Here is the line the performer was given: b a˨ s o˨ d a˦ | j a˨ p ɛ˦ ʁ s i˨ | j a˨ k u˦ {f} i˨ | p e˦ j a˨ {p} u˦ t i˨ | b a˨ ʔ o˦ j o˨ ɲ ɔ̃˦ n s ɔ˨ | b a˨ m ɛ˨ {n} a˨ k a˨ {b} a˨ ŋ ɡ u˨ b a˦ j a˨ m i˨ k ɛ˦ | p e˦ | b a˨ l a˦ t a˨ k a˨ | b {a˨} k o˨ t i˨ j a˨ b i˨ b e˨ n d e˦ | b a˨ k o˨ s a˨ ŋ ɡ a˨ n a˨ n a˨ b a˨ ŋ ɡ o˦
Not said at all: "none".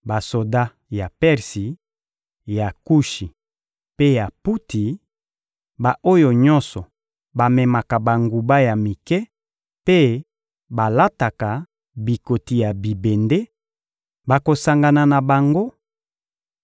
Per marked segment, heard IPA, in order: ʃ, p, m, b, i˨

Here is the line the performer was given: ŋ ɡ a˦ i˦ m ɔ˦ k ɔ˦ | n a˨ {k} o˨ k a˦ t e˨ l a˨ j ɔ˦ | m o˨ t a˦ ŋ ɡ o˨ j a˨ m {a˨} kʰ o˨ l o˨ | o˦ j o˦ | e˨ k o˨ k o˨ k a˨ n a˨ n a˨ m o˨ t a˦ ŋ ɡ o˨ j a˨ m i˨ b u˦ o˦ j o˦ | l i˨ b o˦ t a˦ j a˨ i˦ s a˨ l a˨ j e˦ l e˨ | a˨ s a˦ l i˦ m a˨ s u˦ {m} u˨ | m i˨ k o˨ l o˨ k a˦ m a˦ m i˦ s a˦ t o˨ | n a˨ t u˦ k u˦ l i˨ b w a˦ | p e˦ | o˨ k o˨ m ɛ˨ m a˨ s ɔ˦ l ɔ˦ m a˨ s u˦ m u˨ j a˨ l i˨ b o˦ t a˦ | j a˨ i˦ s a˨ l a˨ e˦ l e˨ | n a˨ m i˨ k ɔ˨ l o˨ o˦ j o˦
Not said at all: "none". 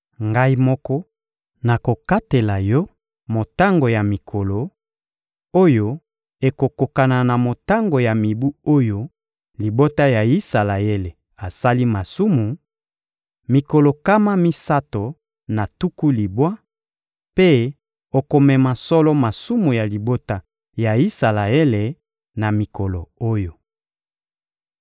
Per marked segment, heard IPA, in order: k, i˨, m

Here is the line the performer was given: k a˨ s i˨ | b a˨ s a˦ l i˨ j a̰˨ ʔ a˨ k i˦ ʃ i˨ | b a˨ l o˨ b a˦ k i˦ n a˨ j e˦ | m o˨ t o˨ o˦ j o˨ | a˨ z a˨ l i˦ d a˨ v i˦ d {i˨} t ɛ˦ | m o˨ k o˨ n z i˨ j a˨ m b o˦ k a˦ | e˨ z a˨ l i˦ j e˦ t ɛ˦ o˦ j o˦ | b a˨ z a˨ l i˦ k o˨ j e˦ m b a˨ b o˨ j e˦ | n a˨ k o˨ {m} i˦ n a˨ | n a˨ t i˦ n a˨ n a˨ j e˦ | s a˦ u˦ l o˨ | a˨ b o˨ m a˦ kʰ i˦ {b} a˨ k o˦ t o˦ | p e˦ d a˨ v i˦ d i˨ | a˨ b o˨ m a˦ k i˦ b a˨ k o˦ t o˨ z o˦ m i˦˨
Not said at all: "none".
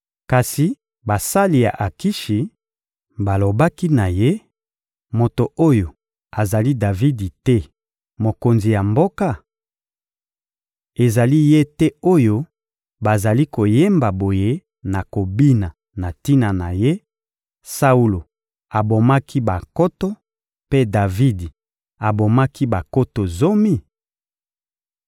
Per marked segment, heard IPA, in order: i˨, b, b

